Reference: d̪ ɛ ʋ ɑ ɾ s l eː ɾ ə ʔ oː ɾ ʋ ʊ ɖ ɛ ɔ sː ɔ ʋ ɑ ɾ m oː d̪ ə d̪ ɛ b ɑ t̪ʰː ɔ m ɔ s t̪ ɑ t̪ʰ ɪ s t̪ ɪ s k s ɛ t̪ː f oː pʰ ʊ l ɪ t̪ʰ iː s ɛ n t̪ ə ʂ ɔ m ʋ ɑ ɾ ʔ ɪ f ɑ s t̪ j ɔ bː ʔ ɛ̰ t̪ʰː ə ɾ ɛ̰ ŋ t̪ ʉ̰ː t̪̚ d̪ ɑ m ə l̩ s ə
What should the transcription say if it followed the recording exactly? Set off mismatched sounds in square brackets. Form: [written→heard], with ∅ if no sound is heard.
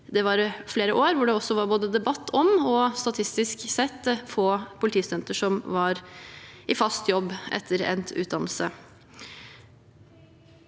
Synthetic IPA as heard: d̪ ɛ ʋ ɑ ɾ [s→f] l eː ɾ ə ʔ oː ɾ ʋ ʊ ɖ ɛ ɔ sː ɔ ʋ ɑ ɾ [m→b] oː d̪ ə d̪ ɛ b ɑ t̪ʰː ɔ m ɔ s t̪ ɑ t̪ʰ ɪ s t̪ ɪ s k s ɛ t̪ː f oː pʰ ʊ l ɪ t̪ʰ iː s ɛ n t̪ ə ʂ ɔ m ʋ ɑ ɾ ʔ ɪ f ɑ s t̪ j ɔ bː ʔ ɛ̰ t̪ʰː ə ɾ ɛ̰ [ŋ→n] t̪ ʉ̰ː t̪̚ d̪ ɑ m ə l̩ s ə